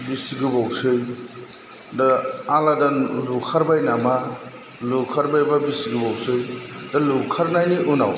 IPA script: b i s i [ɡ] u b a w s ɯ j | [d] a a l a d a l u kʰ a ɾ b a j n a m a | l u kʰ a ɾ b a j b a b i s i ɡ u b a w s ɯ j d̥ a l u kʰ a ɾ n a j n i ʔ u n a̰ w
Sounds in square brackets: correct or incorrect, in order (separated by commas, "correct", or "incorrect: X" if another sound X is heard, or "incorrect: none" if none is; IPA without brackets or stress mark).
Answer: correct, correct